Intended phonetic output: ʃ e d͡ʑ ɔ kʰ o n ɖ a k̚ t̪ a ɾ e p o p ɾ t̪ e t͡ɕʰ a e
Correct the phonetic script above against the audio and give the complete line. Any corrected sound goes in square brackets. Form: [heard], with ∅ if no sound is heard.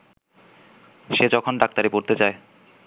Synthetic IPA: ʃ e d͡ʑ ɔ kʰ o n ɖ a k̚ t̪ a ɾ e p o [∅] ɾ t̪ e [t͡ɕ] a e